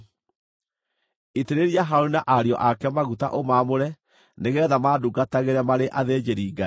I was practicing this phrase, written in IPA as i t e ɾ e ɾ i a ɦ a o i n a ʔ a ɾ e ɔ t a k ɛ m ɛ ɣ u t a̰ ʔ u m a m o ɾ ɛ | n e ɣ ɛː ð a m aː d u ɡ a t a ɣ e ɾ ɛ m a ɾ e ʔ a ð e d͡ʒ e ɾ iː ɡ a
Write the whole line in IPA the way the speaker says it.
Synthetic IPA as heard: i t e ɾ e ɾ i a ɦ a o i n a ʔ a ɾ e ɔ ʔ a k ɛ m a ɣ u t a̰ ʔ o m a m o ɾ ɛ | n e ɣ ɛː ð a m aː d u ɡ a t a ɣ e ɾ ɛ m a ɾ e ʔ a ð e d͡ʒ e ɾ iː ɡ a